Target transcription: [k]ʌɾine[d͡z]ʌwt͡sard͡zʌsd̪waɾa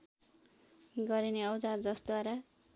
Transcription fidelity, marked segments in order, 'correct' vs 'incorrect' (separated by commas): incorrect, incorrect